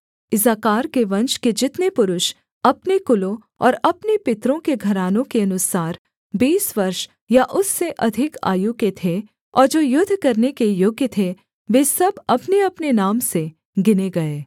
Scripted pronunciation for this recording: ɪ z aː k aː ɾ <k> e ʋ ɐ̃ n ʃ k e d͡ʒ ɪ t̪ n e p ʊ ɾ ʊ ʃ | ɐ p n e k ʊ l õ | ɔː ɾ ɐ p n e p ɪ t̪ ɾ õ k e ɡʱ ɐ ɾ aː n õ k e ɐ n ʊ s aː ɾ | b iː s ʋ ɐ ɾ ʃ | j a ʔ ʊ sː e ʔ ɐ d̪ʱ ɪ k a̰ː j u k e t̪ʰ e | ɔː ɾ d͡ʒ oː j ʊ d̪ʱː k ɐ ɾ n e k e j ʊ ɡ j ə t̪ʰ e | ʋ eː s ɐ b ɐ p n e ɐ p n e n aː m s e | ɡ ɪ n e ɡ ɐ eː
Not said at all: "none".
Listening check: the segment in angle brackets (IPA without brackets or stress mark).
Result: k